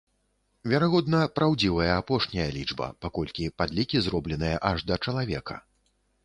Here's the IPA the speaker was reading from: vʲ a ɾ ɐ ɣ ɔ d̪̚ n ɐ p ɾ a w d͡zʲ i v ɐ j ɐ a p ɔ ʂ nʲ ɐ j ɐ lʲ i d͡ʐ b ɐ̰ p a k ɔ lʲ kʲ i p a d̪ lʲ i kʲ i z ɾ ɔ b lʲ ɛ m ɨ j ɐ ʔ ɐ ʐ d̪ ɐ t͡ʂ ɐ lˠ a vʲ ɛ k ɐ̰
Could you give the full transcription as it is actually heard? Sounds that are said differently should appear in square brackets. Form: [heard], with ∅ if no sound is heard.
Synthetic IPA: vʲ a ɾ [a] ɣ ɔ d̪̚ n ɐ p ɾ a w d͡zʲ i v ɐ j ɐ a p ɔ ʂ nʲ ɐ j ɐ lʲ i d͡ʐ b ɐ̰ p a k ɔ lʲ kʲ i p a d̪ lʲ i kʲ i z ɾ ɔ b lʲ ɛ [n] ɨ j ɐ ʔ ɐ ʐ d̪ ɐ t͡ʂ ɐ lˠ a vʲ ɛ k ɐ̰